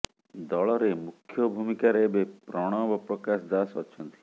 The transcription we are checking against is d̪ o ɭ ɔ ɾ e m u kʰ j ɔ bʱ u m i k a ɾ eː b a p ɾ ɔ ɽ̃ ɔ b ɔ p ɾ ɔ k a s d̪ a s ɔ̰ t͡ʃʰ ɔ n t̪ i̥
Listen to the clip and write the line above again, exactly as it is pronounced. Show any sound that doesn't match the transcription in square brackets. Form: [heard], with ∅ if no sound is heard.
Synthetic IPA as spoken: d̪ [ɔ] ɭ ɔ ɾ e m u kʰ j ɔ bʱ u m i k a ɾ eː b [e] p ɾ ɔ ɽ̃ ɔ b ɔ p ɾ ɔ k a s d̪ a s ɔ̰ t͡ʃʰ ɔ n t̪ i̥

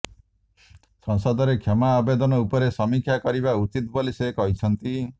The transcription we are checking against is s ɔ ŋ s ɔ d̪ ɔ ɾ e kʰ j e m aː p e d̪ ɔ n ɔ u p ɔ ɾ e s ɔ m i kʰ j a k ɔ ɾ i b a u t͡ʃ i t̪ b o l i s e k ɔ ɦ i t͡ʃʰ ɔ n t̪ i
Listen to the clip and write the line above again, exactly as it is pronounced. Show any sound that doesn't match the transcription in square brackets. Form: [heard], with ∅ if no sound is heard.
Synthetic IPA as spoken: s ɔ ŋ s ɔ d̪ ɔ ɾ e kʰ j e m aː [b] e d̪ ɔ n ɔ u p ɔ ɾ e s ɔ m i kʰ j a k ɔ ɾ i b a u t͡ʃ i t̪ b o l i s e k ɔ ɦ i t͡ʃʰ ɔ n t̪ i

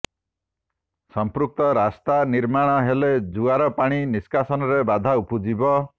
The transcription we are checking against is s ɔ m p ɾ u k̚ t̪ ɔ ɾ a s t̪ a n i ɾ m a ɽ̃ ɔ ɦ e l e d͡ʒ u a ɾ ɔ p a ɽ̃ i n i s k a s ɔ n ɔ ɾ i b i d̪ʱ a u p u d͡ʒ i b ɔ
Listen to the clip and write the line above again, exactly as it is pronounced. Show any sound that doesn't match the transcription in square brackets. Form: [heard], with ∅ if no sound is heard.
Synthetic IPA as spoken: s ɔ m p ɾ u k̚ t̪ ɔ ɾ a s t̪ a n i ɾ m a ɽ̃ ɔ ɦ e l e d͡ʒ u a ɾ ɔ p a ɽ̃ i n i s k a s ɔ n ɔ ɾ [e] b [a] d̪ʱ a u p u d͡ʒ i b ɔ

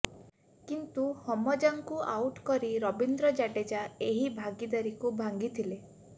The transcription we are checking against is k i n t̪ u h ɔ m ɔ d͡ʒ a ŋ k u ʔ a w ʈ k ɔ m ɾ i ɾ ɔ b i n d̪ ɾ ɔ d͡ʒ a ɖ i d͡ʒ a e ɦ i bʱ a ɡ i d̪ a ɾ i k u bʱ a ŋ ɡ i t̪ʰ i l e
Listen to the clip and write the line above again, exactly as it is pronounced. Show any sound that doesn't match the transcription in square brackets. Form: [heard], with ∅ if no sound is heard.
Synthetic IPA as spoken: k i n t̪ u h ɔ m ɔ d͡ʒ a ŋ k u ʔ a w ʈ k ɔ [∅] ɾ i ɾ ɔ b i n d̪ ɾ ɔ d͡ʒ a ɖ [e] d͡ʒ a e ɦ i bʱ a ɡ i d̪ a ɾ i k u bʱ a ŋ ɡ i t̪ʰ i l e

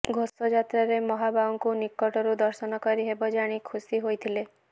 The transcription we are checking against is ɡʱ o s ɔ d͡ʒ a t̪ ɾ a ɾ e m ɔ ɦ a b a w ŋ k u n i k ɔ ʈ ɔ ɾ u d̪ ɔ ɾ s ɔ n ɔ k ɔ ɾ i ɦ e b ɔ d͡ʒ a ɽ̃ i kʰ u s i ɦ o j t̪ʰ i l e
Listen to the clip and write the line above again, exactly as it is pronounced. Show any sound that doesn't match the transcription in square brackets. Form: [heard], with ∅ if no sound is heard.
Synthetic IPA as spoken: ɡʱ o s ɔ d͡ʒ a t̪ ɾ a ɾ e m ɔ ɦ a b a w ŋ k u n i k ɔ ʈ ɔ ɾ u d̪ ɔ ɾ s ɔ n ɔ k ɔ ɾ i ɦ e b ɔ d͡ʒ a ɽ̃ i kʰ u s i ɦ o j t̪ʰ i l e

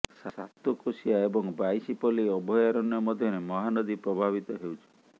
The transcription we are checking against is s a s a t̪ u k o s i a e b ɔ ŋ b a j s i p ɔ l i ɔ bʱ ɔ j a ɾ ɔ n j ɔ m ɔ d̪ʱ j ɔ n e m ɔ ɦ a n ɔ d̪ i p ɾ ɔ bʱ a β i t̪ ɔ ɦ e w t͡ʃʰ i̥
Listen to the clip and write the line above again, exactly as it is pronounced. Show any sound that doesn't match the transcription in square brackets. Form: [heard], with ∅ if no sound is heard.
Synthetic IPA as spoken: s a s a t̪ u k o s i a e b ɔ ŋ b a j s i p ɔ l i ɔ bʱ ɔ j a ɾ ɔ n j ɔ m ɔ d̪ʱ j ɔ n e m ɔ ɦ a n ɔ d̪ i p ɾ ɔ bʱ a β i t̪ ɔ ɦ e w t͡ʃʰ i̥

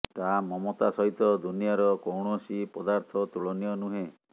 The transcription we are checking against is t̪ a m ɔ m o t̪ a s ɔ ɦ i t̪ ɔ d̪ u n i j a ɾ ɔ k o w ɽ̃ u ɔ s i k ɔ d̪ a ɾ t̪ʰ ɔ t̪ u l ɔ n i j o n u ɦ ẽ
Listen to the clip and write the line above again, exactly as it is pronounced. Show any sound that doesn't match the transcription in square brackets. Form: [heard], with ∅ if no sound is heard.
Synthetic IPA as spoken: t̪ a m ɔ m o t̪ a s ɔ ɦ i t̪ ɔ d̪ u n i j a ɾ ɔ k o w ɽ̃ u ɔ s i [p] ɔ d̪ a ɾ t̪ʰ ɔ t̪ u [ɭ] ɔ n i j [ɔ] n u ɦ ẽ

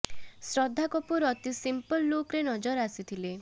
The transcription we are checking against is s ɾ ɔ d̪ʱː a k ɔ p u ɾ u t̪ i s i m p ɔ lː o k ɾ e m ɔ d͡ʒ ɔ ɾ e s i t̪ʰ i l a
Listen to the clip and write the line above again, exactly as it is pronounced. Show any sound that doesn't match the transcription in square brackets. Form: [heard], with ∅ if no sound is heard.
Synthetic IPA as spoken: s ɾ ɔ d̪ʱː a k ɔ p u ɾ [ɔ] t̪ i s i m p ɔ lː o k ɾ e [n] ɔ d͡ʒ ɔ ɾ [a] s i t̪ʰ i l [e]

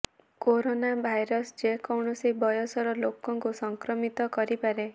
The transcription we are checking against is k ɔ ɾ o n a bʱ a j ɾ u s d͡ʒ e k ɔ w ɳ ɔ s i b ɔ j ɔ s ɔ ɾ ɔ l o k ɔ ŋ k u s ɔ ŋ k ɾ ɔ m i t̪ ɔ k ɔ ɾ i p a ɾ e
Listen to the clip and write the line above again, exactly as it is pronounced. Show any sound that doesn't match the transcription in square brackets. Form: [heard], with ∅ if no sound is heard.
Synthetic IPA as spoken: k [o] ɾ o n a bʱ a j ɾ [ɔ] s d͡ʒ e k ɔ w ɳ ɔ s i b ɔ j ɔ s ɔ ɾ ɔ l o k ɔ ŋ k u s ɔ ŋ k ɾ ɔ m i t̪ ɔ k ɔ ɾ i p a ɾ e

